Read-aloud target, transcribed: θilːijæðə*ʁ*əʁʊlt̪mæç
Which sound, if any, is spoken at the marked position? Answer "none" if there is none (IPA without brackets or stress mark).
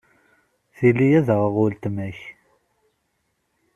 ʁ